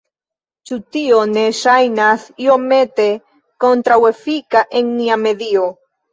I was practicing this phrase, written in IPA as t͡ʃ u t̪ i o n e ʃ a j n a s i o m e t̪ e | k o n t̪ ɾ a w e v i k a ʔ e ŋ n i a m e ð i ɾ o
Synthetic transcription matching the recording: t͡ʃ u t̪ i o n e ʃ a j n a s i o m e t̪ e | k o n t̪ ɾ a w e f i k a ʔ e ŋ n i a m e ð i o